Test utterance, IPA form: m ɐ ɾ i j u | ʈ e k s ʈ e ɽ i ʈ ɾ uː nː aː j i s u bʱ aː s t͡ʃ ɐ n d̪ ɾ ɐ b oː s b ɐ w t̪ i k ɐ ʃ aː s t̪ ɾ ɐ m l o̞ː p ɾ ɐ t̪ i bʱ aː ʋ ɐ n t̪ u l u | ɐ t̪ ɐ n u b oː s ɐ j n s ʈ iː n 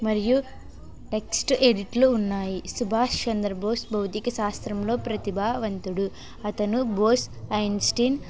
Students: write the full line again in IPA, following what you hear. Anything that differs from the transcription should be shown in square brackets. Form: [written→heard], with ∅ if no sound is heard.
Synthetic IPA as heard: m ɐ ɾ i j u | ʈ e k s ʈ e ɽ i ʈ [ɾ→l] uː nː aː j i s u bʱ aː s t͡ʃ ɐ n d̪ ɾ ɐ b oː s b ɐ w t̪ i k ɐ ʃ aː s t̪ ɾ ɐ m l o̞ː p ɾ ɐ t̪ i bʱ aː ʋ ɐ n t̪ u [l→ɽ] u | ɐ t̪ ɐ n u b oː s ɐ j n s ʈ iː n